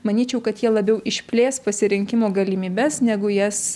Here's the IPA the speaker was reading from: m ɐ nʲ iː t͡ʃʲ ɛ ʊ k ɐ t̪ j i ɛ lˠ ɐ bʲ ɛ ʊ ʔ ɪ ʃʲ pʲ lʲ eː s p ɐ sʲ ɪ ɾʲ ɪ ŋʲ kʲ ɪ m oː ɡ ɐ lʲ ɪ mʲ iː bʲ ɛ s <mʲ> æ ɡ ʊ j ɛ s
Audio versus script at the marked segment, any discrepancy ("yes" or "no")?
yes